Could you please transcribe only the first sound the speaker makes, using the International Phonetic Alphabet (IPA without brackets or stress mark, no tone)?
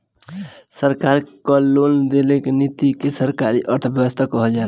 s